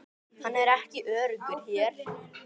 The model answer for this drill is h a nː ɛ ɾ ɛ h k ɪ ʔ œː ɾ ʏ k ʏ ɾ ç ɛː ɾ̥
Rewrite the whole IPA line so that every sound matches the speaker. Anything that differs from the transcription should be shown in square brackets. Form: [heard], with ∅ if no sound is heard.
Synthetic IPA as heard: h a nː ɛ ɾ ɛ h [c] ɪ ʔ œː ɾ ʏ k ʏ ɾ ç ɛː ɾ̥